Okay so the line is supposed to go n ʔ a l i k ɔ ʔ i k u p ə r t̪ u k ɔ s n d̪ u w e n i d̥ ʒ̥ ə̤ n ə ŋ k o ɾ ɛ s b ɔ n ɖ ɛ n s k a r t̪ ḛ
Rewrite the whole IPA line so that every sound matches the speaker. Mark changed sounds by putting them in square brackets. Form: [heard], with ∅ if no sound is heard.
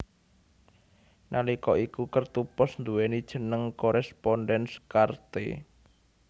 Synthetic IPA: n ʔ a l i k ɔ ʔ i k u [k] ə r t̪ u [p] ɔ s n d̪ u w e n i d̥ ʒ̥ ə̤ n ə ŋ k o ɾ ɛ s [p] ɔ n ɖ ɛ n s k a r t̪ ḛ